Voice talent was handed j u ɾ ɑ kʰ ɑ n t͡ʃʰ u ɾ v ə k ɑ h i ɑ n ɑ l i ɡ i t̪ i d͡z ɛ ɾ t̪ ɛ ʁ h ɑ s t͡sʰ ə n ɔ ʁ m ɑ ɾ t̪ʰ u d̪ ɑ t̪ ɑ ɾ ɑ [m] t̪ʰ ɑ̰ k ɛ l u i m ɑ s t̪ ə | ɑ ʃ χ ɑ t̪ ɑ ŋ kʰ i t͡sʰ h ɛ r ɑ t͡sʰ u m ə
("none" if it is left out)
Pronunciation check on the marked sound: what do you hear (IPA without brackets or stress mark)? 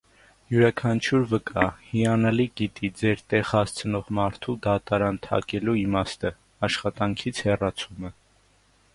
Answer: n